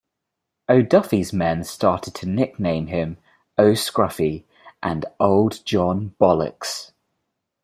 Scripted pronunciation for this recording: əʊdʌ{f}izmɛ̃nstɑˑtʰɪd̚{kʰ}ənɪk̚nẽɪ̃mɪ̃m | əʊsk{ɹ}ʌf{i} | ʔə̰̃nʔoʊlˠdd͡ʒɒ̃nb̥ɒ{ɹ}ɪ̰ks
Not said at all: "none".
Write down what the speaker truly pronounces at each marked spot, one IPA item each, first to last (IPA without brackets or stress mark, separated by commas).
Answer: f, tʰ, ɹ, i, l